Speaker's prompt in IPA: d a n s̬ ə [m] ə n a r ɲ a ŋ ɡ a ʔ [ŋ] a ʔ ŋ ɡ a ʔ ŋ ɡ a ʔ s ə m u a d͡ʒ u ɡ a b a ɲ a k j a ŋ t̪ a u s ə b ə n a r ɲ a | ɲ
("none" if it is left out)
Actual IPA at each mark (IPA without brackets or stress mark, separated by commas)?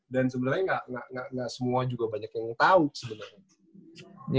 b, ŋ